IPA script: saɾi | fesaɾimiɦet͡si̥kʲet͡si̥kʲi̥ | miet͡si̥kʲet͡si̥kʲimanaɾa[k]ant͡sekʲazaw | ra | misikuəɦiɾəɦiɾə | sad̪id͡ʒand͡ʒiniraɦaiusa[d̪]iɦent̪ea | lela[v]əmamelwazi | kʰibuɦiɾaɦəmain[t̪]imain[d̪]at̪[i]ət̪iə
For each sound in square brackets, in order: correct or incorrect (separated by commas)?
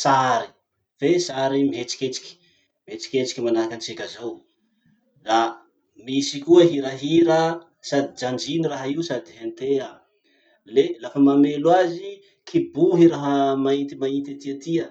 correct, correct, incorrect, correct, incorrect, correct